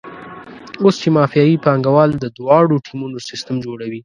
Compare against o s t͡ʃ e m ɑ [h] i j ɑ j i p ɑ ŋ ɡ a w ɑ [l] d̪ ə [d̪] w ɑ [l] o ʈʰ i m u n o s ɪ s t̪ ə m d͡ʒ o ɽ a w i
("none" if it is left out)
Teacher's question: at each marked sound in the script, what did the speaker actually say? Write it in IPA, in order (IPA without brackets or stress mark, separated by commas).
f, l, d̪, ɽ